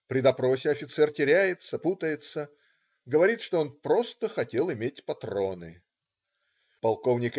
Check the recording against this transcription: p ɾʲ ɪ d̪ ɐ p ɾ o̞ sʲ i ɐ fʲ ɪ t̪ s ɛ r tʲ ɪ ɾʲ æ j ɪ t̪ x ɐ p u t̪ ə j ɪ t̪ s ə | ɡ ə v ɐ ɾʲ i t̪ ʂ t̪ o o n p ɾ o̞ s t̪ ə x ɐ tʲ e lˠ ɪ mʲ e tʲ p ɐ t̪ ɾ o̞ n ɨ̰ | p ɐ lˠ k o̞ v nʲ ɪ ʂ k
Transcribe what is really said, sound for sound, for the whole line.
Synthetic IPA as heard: p ɾʲ ɪ d̪ ɐ p ɾ o̞ sʲ ɪ ɐ fʲ ɪ t̪ s ɛ r tʲ ɪ ɾʲ æ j ɪ t̪ s ɐ p u t̪ ə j ɪ t̪ s ə | ɡ ə v ɐ ɾʲ i t̪ ʂ t̪ o o n p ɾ o̞ s t̪ ə x ɐ tʲ e lˠ ɪ mʲ e tʲ p ɐ t̪ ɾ o̞ n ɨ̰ | p ɐ lˠ k o̞ v nʲ ɪ k